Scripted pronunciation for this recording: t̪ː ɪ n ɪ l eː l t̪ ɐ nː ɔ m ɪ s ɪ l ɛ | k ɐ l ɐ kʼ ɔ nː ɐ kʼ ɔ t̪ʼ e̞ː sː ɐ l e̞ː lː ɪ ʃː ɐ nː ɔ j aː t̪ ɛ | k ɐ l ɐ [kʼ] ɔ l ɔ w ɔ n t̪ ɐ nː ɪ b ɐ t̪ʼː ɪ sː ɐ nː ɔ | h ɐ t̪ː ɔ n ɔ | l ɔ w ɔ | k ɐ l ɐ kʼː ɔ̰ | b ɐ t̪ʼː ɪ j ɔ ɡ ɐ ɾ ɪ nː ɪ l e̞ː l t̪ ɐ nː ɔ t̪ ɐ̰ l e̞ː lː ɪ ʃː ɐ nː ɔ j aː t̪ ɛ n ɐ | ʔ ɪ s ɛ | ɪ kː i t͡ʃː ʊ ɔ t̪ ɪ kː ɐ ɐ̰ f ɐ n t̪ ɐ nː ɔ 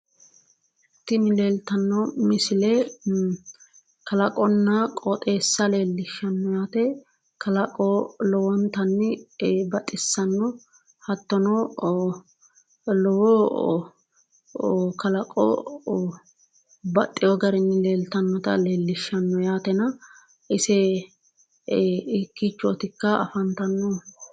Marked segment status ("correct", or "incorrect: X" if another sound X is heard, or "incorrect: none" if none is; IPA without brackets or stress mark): correct